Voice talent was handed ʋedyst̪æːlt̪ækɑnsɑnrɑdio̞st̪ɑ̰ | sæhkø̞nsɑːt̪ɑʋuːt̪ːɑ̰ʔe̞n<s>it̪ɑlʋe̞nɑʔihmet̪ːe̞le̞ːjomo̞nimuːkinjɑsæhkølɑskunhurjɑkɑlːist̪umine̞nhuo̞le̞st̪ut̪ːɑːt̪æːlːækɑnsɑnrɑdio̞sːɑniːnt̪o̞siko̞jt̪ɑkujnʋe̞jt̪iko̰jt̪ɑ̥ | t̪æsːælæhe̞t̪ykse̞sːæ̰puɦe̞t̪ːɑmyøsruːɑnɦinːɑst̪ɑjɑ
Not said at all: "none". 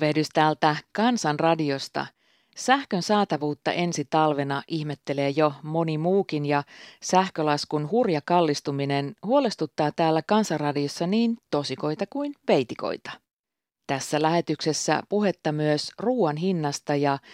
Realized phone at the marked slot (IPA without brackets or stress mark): s